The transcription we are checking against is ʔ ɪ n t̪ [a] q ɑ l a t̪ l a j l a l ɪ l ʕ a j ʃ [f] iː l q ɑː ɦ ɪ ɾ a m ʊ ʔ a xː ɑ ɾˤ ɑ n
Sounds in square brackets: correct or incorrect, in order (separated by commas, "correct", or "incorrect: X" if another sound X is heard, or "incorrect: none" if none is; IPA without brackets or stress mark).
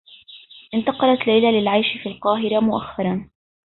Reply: incorrect: ɑ, correct